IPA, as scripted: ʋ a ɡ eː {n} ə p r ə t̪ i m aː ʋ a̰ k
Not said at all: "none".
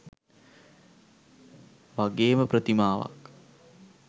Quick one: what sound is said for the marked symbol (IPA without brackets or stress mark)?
m